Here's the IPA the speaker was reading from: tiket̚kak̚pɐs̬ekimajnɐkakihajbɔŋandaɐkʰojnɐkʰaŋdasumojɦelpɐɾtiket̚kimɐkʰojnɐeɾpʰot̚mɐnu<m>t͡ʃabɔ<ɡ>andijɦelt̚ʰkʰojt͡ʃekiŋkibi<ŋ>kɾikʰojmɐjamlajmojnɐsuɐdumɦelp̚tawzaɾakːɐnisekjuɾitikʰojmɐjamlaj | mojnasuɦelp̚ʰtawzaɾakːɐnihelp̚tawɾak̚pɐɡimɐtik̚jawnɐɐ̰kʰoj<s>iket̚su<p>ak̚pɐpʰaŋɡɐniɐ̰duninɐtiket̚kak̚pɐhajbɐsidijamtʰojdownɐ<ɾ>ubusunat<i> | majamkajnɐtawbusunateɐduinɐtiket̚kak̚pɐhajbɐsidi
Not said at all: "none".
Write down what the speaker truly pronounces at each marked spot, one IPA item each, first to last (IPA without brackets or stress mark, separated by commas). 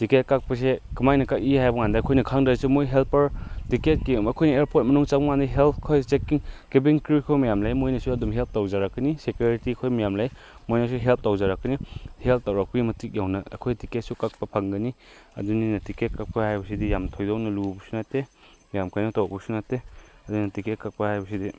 ŋ, ŋ, ŋ, t, k, l, e